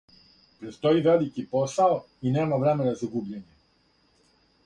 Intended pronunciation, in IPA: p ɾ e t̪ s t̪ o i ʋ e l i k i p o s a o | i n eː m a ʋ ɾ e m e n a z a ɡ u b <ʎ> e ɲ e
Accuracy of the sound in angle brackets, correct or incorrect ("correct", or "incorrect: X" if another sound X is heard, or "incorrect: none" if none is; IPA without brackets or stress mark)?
correct